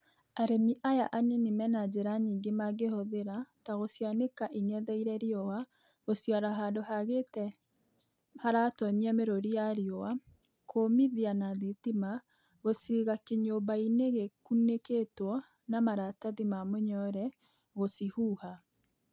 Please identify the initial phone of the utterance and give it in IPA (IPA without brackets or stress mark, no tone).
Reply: a